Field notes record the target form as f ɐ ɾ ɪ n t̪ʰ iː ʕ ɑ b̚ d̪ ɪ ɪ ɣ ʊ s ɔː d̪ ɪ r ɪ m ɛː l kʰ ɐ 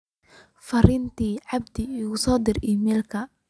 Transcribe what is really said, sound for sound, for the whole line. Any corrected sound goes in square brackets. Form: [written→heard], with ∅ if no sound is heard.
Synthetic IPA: f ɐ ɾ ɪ n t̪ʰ iː ʕ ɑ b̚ d̪ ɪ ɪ ɣ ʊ s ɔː d̪ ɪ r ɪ m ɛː l kʰ ɐ